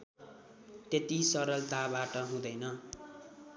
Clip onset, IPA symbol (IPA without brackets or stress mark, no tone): t̪